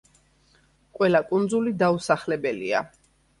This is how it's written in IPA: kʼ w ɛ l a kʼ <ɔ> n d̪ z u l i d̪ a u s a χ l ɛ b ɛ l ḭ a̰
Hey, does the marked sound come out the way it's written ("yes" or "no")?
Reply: no